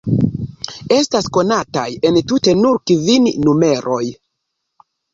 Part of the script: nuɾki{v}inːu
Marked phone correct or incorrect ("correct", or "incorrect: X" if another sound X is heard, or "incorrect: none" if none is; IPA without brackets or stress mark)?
correct